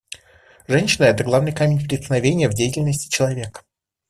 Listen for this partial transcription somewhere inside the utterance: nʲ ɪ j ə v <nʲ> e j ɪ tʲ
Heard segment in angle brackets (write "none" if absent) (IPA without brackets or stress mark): dʲ